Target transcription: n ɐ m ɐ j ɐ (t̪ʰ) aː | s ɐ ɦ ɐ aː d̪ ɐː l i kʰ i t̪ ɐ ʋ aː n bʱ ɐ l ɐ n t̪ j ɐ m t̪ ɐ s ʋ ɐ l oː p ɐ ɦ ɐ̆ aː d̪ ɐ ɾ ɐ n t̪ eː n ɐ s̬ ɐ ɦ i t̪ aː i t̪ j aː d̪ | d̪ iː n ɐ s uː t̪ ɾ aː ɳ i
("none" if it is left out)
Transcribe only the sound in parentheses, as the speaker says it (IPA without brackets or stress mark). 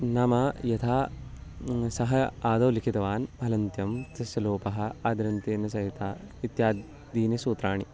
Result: t̪ʰ